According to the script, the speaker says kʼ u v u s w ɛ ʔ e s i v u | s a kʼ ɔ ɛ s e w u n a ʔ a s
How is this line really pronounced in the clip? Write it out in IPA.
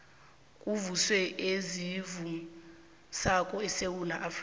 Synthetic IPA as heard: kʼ u v u s w ɛ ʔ e z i v u | s a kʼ ɔ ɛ s e w u n a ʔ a f